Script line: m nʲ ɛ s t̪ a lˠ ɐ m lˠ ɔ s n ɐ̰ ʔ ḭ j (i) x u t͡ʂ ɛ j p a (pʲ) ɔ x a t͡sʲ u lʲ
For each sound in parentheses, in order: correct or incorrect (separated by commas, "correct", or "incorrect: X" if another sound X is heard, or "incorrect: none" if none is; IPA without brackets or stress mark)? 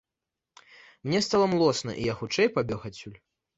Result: incorrect: a, incorrect: bʲ